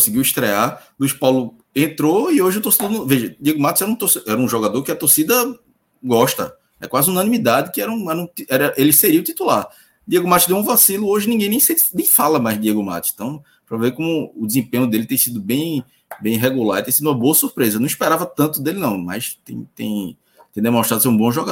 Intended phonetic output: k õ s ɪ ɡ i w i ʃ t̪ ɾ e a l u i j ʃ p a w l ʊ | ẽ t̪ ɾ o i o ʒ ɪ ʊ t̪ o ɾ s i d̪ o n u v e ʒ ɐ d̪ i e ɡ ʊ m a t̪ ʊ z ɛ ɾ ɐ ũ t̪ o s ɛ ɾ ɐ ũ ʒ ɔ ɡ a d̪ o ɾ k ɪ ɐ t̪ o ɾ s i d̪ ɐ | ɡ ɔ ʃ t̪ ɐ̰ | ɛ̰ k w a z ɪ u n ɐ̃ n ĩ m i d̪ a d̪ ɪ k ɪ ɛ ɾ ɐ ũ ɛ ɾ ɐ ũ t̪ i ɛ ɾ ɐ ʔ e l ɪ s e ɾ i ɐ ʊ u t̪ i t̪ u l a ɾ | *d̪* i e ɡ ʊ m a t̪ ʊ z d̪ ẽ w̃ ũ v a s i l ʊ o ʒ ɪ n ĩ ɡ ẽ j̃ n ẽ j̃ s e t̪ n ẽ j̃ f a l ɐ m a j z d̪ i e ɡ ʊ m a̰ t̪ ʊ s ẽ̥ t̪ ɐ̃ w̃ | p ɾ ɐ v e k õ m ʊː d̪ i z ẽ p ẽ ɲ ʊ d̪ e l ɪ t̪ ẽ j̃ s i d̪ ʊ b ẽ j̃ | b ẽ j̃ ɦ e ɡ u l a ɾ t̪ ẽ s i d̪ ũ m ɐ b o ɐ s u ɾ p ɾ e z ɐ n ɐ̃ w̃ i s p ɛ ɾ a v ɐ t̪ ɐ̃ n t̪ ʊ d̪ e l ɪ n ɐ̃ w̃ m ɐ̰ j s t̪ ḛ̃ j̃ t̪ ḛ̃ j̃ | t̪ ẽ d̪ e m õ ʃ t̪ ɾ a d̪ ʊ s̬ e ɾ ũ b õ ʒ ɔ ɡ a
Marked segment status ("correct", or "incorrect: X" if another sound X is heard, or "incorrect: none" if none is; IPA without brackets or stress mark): correct